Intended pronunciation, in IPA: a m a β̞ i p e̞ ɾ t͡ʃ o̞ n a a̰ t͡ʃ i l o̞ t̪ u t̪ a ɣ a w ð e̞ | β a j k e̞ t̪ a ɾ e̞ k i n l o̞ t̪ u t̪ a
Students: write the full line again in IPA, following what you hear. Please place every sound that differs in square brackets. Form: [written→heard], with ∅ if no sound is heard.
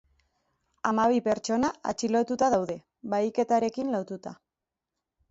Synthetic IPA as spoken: a m a β̞ i p e̞ ɾ t͡ʃ o̞ n a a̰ t͡ʃ i l o̞ t̪ u t̪ a [ɣ→ð] a w ð e̞ | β a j k e̞ t̪ a ɾ e̞ k i n l o̞ t̪ u t̪ a